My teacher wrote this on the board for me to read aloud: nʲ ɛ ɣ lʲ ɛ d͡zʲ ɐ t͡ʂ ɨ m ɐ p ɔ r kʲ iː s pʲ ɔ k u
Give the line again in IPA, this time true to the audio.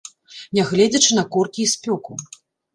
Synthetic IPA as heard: nʲ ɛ ɣ lʲ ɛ d͡zʲ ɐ t͡ʂ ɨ n ɐ k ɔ r kʲ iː s pʲ ɔ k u